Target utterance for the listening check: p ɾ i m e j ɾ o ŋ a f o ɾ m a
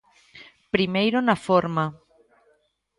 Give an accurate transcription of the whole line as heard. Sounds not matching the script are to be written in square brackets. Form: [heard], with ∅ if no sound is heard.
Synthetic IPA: p ɾ i m e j ɾ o [n] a f o ɾ m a